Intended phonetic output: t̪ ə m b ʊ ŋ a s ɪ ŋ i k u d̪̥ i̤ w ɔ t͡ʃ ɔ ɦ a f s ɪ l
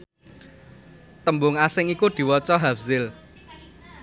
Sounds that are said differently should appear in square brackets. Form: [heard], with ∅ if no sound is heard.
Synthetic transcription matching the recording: t̪ ə m b ʊ ŋ a s ɪ ŋ i k u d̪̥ i̤ w ɔ t͡ʃ ɔ ɦ a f [z] ɪ l